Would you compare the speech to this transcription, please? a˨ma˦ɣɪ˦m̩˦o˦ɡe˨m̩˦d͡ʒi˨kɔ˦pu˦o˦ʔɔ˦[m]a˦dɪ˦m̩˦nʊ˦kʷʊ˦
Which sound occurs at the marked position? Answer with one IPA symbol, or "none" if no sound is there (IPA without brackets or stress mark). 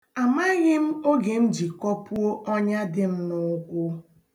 ɲ